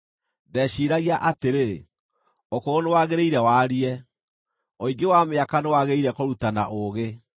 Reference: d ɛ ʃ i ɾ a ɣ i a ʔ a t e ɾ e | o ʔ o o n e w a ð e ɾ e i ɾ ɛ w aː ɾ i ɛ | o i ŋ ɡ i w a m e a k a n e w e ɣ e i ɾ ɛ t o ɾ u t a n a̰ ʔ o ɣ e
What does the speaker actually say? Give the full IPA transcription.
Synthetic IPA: d ɛ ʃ i ɾ a ɣ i a ʔ a t e ɾ e | o k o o n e w a ɣ e ɾ e i ɾ ɛ w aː ɾ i ɛ | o i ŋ ɡ e w a m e a k a n e w a ɣ e i ɾ ɛ k o ɾ u t a n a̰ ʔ o ɣ e